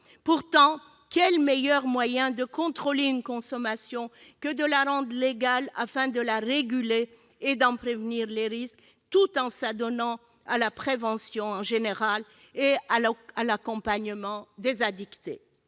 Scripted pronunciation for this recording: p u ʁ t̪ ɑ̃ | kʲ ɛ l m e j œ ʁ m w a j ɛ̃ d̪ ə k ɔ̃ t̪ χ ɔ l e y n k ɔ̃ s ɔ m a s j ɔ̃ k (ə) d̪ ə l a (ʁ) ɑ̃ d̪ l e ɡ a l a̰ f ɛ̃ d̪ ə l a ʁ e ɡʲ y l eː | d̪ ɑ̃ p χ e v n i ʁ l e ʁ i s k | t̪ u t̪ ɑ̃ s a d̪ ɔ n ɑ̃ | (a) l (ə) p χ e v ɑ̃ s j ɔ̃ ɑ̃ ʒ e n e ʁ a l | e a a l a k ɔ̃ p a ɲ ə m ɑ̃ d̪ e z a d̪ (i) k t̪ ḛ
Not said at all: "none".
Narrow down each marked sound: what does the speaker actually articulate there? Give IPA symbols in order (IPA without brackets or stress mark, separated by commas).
ə, ʁ, a, a, i